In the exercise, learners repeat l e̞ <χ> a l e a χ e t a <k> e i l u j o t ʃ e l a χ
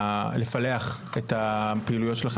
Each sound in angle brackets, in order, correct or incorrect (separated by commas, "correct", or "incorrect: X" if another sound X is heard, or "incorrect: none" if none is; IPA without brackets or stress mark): incorrect: f, incorrect: p